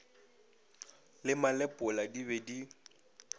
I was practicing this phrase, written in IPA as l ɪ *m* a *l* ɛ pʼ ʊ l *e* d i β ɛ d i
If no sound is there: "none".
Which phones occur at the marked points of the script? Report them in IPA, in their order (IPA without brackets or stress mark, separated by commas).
m, l, a